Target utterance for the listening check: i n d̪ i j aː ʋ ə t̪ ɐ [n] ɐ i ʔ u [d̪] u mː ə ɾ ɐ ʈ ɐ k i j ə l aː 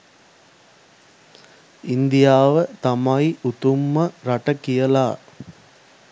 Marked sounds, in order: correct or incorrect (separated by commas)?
incorrect, incorrect